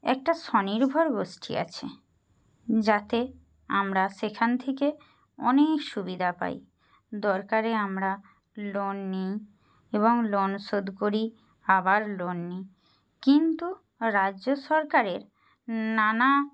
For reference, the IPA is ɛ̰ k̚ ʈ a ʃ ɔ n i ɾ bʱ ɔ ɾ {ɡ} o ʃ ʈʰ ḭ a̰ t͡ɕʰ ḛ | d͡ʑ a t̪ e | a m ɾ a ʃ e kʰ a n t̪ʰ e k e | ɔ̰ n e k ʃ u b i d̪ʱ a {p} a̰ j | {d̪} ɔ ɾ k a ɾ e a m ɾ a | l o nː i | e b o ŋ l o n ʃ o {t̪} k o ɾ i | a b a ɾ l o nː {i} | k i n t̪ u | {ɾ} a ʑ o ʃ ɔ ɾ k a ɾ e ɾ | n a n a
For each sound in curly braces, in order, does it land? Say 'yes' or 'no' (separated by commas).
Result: yes, yes, yes, no, yes, yes